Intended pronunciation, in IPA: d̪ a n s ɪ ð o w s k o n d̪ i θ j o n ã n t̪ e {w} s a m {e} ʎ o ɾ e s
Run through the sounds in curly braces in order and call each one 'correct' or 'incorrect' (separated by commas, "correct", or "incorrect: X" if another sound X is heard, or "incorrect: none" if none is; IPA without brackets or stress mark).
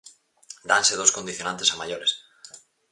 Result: incorrect: none, incorrect: a